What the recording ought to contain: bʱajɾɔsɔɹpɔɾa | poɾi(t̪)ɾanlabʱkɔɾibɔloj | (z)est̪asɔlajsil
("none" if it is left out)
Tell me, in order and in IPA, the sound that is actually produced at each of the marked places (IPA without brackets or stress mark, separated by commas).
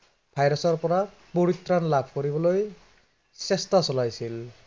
t̪, s